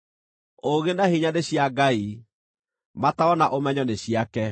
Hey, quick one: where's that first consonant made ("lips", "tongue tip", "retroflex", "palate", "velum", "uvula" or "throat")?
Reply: velum